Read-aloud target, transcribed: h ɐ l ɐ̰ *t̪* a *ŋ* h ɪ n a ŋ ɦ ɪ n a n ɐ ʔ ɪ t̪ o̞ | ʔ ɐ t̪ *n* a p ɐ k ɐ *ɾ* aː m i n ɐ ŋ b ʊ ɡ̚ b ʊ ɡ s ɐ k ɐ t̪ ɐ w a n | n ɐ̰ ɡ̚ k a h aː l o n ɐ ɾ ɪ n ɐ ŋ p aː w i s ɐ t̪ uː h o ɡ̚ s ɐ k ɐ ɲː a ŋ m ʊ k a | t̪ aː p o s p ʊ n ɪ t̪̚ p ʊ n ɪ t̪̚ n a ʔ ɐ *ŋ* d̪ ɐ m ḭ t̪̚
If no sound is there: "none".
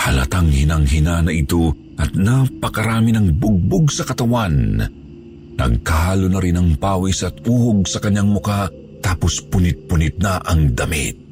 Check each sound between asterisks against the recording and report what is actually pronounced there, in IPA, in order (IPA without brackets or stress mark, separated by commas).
t̪, ŋ, n, ɾ, ŋ